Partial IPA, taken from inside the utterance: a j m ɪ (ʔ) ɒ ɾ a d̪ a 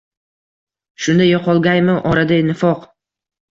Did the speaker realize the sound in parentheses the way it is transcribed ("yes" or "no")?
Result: yes